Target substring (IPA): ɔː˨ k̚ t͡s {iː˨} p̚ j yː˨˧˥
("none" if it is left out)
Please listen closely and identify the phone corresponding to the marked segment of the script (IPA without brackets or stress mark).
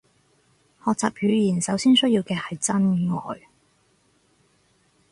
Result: aː˨